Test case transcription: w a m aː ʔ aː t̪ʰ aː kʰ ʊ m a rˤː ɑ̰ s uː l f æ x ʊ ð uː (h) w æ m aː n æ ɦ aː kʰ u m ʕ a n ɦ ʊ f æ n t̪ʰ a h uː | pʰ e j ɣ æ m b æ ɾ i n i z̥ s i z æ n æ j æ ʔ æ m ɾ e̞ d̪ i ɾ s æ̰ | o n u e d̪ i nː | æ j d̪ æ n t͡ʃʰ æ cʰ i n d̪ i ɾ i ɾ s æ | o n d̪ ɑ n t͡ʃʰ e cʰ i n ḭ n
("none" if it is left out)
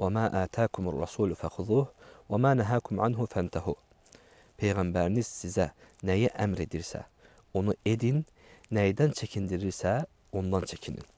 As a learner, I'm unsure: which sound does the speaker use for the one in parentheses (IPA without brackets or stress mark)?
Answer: h